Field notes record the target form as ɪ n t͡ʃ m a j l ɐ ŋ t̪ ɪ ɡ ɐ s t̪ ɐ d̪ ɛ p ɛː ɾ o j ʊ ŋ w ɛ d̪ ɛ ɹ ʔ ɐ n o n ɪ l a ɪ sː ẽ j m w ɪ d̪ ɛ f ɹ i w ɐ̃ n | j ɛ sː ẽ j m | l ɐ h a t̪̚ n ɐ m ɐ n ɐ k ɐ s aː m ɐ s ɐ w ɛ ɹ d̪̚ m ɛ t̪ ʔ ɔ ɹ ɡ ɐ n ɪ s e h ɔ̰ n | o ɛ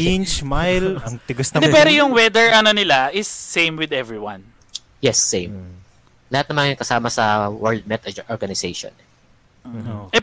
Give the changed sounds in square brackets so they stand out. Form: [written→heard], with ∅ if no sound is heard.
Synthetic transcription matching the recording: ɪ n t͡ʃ m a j l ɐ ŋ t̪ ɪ ɡ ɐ s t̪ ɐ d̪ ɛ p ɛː ɾ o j ʊ ŋ w ɛ d̪ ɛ ɹ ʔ ɐ n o n ɪ l a ɪ sː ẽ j m w ɪ d̪ ɛ [f→v] ɹ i w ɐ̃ n | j ɛ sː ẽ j m | l ɐ h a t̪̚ n ɐ m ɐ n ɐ k ɐ s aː m ɐ s ɐ w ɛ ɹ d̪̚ m ɛ t̪ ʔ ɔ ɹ ɡ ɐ n ɪ s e [h→ʃ] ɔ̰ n | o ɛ